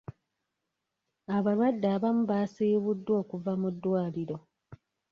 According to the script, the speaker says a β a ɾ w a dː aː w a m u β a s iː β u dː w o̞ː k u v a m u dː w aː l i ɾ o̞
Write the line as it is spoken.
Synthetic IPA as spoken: a β a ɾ w a dː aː β a m u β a s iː β u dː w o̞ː k u v a m u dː w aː l i ɾ o̞